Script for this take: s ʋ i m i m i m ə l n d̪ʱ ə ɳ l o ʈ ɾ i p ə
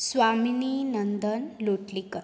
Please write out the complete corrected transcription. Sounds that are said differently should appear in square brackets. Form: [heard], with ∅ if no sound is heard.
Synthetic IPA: s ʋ [a] m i [n] i [n] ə [∅] n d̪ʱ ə [n] l o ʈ [l] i [k] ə